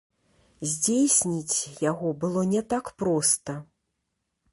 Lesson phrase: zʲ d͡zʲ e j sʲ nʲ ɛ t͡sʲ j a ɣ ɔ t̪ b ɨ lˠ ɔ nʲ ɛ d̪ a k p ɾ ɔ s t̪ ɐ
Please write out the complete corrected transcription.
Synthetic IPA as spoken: zʲ d͡zʲ e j sʲ nʲ i t͡sʲ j a ɣ ɔ b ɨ lˠ ɔ nʲ ɛ t̪ a k p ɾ ɔ s t̪ ɐ